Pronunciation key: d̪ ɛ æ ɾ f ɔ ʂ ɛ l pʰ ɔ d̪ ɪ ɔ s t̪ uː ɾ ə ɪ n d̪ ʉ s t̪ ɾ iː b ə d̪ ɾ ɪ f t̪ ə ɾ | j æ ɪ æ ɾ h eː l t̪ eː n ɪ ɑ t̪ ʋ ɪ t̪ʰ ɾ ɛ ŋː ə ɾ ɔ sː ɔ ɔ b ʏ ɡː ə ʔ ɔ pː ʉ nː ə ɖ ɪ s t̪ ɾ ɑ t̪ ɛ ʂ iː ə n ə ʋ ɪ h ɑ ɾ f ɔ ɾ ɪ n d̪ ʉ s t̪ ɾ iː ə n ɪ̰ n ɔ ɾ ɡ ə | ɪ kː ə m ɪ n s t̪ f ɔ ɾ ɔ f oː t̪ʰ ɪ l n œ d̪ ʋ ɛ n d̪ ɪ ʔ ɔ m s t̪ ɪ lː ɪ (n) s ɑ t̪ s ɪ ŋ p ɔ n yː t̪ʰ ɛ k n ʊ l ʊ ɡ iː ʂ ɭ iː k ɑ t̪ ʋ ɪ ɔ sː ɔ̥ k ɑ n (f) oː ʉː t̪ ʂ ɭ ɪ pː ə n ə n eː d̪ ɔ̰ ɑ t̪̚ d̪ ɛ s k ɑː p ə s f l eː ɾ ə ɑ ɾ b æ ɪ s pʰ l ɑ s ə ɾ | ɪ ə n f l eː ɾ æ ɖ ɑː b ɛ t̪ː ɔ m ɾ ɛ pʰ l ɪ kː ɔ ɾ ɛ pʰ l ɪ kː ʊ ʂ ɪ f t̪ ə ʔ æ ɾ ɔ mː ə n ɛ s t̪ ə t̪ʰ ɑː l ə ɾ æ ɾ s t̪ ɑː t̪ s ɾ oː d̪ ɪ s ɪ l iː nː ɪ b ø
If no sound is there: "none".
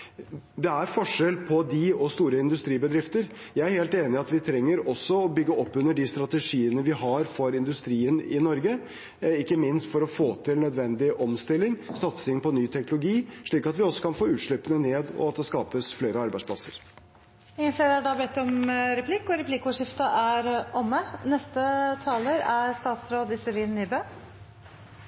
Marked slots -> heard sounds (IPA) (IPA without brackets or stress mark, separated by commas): ŋ, f